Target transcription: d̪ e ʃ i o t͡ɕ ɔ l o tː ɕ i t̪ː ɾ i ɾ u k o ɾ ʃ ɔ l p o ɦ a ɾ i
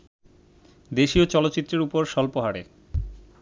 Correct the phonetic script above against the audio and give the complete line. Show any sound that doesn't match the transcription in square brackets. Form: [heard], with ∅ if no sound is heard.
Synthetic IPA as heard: d̪ e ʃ i o t͡ɕ ɔ l o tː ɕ i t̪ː ɾ [e] ɾ u [p] o ɾ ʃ ɔ l p o ɦ a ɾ [e]